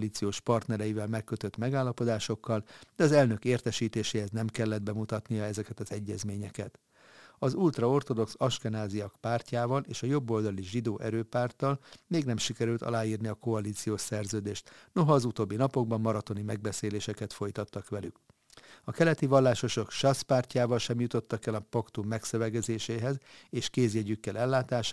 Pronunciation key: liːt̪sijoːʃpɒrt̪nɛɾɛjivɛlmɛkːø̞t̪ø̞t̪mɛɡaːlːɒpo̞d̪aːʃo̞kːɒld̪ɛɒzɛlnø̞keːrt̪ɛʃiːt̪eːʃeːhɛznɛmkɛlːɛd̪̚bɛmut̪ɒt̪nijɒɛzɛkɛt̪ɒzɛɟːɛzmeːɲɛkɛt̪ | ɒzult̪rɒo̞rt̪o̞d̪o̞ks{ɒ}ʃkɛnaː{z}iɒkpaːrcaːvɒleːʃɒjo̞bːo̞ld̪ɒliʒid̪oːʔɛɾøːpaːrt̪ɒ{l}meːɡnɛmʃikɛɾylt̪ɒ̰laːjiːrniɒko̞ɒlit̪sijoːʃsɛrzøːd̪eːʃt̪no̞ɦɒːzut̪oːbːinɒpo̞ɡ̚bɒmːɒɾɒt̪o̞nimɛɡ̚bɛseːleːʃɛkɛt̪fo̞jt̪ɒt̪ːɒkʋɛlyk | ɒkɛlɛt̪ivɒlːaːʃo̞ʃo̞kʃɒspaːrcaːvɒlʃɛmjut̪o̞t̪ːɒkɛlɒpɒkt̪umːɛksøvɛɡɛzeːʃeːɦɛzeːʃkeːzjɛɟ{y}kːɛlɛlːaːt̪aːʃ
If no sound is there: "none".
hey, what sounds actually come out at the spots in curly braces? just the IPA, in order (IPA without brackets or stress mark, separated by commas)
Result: ɒ, z, l, y